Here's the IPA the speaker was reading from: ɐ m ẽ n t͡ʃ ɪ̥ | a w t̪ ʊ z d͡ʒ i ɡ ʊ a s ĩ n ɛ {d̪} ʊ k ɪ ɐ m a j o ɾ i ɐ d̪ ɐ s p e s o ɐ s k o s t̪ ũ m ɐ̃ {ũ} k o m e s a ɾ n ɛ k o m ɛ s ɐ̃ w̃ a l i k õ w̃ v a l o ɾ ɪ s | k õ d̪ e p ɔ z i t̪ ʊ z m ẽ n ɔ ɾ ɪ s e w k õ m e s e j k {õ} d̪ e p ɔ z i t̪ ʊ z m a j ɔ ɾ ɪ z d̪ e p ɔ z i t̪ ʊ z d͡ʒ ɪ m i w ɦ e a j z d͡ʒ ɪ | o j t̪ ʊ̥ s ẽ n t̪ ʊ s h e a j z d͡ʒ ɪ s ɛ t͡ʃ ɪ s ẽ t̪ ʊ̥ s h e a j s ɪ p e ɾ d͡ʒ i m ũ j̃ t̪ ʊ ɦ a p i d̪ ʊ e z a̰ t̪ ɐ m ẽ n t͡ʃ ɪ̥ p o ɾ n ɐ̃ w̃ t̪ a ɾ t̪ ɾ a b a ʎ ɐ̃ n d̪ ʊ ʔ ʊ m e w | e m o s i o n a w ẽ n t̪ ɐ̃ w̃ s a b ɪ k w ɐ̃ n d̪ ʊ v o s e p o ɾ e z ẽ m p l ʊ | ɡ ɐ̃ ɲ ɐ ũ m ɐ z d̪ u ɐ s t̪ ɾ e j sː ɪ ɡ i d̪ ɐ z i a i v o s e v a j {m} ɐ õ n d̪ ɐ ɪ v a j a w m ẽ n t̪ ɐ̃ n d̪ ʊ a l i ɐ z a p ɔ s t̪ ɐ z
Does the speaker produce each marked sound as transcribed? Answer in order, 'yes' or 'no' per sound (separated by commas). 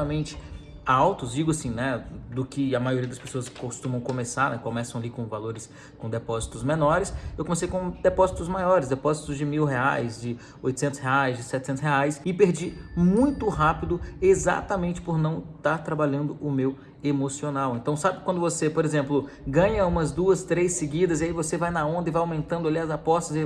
yes, no, yes, no